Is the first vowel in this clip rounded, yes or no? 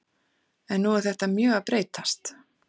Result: no